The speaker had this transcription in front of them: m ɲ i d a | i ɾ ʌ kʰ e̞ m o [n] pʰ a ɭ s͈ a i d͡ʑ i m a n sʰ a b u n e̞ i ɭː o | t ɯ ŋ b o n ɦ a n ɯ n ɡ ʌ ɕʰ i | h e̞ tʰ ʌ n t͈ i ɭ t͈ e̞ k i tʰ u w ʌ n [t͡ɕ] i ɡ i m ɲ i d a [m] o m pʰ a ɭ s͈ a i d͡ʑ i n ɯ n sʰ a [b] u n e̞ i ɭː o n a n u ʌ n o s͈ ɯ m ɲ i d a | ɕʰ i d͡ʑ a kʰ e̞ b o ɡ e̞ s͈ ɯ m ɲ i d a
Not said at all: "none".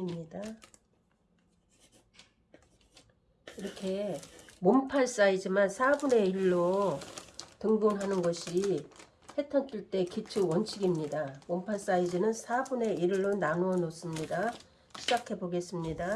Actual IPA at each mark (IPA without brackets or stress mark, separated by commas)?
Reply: m, t͡ɕʰ, m, b